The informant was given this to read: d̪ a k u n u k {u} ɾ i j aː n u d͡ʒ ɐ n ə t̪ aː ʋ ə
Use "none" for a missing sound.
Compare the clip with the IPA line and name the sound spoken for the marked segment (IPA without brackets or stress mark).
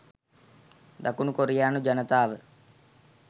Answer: o